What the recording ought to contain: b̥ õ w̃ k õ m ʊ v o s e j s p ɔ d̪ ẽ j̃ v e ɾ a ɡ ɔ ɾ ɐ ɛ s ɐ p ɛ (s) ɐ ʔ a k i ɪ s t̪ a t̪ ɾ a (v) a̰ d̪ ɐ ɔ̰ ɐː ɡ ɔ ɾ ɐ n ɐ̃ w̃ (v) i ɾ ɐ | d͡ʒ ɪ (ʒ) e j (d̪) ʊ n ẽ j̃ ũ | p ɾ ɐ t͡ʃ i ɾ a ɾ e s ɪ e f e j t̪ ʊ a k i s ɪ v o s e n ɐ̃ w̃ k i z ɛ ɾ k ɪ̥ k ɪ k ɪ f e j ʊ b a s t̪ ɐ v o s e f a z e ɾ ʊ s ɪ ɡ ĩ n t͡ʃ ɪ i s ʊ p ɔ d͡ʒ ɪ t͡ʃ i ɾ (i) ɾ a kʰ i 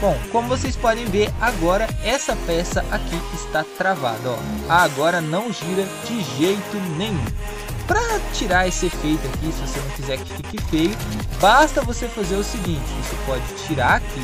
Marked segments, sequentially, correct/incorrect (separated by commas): correct, correct, incorrect, correct, incorrect, incorrect